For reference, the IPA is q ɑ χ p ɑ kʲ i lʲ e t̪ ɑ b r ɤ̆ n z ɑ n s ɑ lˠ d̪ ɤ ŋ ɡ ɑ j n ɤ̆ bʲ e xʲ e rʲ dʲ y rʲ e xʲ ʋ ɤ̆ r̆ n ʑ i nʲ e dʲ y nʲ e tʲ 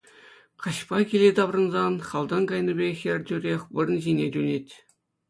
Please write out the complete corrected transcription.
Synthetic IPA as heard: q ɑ ɕ p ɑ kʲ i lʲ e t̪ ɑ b r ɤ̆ n z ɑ n χ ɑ lˠ d̪ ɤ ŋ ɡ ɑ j n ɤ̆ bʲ e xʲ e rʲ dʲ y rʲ e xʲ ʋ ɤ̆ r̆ n ʑ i nʲ e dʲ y nʲ e tʲ